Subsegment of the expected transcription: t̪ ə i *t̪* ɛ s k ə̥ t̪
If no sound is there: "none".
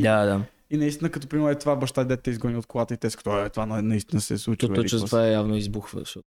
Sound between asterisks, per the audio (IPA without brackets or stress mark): t̪